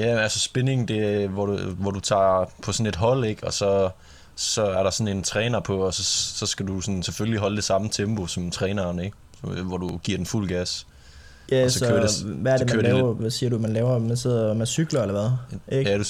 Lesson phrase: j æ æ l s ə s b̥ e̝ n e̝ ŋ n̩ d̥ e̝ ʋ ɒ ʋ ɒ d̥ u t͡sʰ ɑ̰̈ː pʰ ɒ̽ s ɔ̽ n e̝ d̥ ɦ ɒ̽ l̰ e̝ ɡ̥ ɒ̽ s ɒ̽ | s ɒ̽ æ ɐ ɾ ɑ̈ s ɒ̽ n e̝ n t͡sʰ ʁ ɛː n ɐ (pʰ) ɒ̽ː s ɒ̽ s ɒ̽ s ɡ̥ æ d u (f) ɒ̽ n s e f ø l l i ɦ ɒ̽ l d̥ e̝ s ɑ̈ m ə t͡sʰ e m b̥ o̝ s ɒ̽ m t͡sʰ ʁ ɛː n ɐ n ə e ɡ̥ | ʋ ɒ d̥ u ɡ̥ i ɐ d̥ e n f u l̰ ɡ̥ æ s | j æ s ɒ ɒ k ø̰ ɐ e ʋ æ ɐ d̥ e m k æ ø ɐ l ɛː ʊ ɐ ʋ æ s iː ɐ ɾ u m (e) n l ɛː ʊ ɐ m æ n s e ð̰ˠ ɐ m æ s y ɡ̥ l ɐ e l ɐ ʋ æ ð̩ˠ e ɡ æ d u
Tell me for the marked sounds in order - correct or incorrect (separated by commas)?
correct, incorrect, incorrect